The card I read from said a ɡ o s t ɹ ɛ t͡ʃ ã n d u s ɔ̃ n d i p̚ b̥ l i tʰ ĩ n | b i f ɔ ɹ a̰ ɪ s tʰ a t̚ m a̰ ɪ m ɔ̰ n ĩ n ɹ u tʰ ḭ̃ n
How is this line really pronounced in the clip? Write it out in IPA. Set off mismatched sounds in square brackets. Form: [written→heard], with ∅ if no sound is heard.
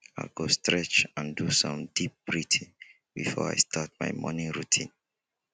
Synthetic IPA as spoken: a ɡ o s t ɹ ɛ t͡ʃ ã n d u s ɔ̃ [n→m] d i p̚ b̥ [l→ɹ] i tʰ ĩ n | b i f ɔ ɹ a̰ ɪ s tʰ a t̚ m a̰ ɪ m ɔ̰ n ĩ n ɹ u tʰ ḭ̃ n